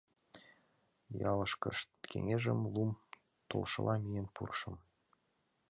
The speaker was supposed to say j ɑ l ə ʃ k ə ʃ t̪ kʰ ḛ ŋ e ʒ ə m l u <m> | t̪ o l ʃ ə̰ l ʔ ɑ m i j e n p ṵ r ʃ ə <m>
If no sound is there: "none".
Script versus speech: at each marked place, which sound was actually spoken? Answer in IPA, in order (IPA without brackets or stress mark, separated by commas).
m, m